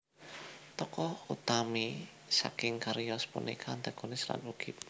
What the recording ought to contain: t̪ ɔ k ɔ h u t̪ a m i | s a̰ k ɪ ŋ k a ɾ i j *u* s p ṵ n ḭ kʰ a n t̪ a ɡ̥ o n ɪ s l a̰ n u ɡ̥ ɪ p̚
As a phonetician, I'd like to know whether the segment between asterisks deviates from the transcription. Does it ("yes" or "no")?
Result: yes